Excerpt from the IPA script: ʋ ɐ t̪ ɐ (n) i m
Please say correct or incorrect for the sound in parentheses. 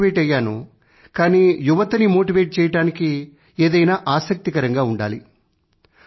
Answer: correct